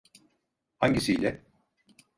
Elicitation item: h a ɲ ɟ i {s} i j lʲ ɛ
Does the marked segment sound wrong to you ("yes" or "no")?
no